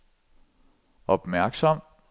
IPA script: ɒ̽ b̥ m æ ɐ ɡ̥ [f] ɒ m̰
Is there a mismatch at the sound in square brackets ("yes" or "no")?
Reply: yes